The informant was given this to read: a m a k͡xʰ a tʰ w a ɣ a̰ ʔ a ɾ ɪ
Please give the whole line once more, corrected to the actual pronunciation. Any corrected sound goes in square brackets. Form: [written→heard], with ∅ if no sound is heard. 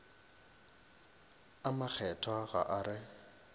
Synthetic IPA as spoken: a m a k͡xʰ [a→ɛ] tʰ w a ɣ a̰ ʔ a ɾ ɪ